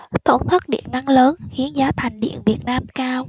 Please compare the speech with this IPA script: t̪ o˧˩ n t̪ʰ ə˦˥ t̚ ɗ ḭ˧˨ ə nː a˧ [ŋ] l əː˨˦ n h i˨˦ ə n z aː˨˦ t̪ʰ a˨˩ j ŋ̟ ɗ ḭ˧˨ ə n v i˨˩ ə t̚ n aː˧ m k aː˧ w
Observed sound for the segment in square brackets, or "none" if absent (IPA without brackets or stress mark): ŋ